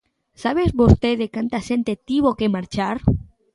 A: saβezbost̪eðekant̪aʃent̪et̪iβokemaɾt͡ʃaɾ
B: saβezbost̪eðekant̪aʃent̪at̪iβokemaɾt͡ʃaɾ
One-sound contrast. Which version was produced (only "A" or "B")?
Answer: A